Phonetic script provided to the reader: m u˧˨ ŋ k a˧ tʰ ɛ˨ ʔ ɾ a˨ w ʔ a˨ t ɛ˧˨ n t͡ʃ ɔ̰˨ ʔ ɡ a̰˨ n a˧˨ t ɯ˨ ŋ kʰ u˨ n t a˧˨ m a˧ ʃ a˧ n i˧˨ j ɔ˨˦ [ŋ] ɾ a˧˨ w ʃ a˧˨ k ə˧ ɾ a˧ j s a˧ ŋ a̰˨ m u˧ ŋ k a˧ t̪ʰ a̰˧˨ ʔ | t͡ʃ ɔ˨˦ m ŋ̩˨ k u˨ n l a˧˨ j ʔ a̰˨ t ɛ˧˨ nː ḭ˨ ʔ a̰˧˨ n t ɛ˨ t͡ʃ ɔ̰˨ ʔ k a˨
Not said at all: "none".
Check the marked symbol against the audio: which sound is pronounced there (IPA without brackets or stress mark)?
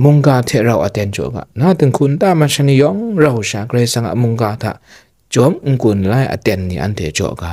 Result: ŋ